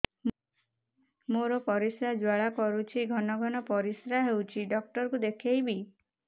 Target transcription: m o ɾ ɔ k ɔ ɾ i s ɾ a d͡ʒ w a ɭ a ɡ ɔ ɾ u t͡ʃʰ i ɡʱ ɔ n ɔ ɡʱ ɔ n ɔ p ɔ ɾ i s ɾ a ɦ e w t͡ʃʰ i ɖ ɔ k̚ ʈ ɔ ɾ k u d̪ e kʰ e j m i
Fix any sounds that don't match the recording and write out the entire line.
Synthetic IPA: m o ɾ ɔ p ɔ ɾ i s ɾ a d͡ʒ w a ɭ a k ɔ ɾ u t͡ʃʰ i ɡʱ ɔ n ɔ ɡʱ ɔ n ɔ p ɔ ɾ i s ɾ a ɦ e w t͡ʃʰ i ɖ ɔ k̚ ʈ ɔ ɾ k u d̪ e kʰ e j b i